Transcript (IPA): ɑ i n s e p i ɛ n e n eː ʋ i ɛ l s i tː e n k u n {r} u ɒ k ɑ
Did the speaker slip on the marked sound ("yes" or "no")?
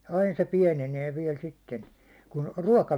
no